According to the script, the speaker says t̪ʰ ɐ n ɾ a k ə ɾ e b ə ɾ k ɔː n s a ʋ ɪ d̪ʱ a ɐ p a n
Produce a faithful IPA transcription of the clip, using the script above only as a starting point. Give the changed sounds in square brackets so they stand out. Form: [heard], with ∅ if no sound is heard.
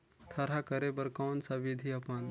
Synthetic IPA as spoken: t̪ʰ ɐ [∅] ɾ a k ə ɾ e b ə ɾ k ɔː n s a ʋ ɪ d̪ʱ [i] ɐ p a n